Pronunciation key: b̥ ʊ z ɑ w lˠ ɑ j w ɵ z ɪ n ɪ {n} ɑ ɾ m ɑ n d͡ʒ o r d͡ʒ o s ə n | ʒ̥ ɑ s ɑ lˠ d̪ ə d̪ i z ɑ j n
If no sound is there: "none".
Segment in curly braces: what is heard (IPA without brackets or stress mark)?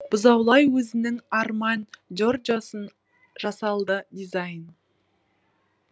ŋ